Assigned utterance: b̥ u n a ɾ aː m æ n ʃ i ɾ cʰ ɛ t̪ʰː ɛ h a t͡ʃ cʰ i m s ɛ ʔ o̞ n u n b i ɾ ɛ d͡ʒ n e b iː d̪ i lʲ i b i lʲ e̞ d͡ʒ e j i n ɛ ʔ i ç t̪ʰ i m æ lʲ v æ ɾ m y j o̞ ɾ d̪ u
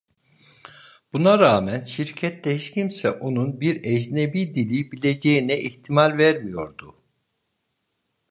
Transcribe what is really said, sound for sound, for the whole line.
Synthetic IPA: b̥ u n a ɾ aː m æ n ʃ i ɾ cʰ ɛ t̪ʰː ɛ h i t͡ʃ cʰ i m s ɛ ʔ o̞ n u n b i ɾ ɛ d͡ʒ n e b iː d̪ i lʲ i b i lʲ e̞ d͡ʒ e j i n ɛ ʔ i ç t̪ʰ i m a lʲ v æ ɾ m i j o̞ ɾ d̪ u